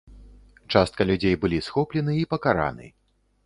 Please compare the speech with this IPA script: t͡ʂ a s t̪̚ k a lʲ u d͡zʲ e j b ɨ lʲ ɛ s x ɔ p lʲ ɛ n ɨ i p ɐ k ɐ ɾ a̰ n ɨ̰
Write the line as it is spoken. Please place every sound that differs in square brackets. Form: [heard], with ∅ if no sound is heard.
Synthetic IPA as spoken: t͡ʂ a s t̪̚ k [ɐ] lʲ u d͡zʲ e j b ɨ lʲ [i] s x ɔ p lʲ ɛ n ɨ i p ɐ k [a] ɾ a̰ n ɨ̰